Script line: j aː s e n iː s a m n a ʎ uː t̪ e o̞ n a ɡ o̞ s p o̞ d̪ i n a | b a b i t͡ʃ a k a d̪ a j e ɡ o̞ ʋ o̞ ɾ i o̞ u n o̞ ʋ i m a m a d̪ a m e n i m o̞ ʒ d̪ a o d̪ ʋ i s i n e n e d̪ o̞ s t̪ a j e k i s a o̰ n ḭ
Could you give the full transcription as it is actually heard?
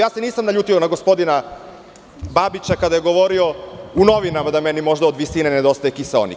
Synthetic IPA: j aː s e n iː s a m n a ʎ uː t̪ i o̞ n a ɡ o̞ s p o̞ d̪ i n a | b a b i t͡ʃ a k a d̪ a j e ɡ o̞ ʋ o̞ ɾ i o̞ u n o̞ ʋ i n a m a d̪ a m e n i m o̞ ʒ d̪ a o d̪ ʋ i s i n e n e d̪ o̞ s t̪ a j e k i s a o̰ n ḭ